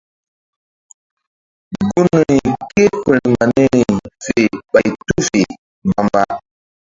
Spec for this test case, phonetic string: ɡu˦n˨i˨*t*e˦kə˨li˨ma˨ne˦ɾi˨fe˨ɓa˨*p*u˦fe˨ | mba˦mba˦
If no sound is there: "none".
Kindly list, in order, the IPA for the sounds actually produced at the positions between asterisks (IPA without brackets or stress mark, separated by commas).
k, t